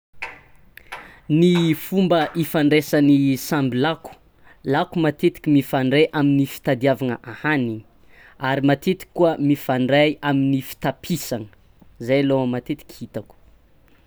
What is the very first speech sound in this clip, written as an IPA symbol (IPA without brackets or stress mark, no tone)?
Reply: n